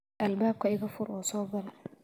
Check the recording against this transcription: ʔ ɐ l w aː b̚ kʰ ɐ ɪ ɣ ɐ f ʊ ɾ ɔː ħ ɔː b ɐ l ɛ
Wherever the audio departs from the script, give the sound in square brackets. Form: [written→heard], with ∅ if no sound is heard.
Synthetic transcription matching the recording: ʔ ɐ l [w→b] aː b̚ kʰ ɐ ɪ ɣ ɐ f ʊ ɾ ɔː [ħ→s] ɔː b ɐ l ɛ